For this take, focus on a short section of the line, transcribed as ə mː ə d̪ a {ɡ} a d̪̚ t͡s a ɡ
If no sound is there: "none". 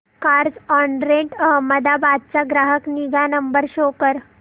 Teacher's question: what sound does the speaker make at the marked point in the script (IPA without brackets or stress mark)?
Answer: b